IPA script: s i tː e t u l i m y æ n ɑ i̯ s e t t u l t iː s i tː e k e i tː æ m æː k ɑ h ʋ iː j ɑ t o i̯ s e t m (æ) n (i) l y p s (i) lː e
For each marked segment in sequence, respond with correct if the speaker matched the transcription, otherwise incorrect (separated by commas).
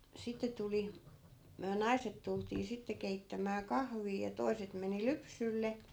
incorrect, correct, incorrect